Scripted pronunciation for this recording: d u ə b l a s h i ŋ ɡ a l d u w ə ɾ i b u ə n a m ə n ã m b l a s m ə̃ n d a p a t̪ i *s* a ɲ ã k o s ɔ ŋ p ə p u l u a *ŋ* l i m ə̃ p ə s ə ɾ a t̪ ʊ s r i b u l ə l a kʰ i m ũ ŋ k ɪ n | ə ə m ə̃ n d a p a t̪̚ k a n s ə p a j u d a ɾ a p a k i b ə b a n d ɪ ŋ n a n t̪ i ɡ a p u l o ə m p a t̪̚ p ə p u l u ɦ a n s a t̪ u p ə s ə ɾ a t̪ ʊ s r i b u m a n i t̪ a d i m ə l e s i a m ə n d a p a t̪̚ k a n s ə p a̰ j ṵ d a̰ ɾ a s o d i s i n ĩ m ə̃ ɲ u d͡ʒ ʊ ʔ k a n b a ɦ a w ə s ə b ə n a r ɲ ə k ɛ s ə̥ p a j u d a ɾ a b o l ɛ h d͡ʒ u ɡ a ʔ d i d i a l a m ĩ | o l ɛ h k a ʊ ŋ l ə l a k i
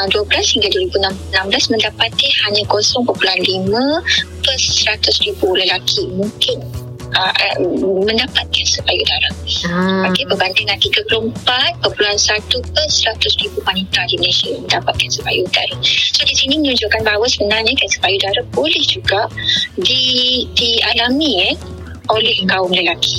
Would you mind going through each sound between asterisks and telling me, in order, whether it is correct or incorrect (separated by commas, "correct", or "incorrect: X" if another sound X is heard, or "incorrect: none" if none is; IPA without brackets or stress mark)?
incorrect: h, incorrect: n